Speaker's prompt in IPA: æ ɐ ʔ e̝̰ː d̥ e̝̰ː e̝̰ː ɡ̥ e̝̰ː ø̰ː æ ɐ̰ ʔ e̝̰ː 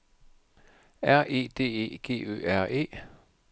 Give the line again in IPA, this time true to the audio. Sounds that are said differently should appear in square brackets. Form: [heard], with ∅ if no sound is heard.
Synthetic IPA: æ ɐ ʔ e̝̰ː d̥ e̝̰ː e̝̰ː ɡ̥ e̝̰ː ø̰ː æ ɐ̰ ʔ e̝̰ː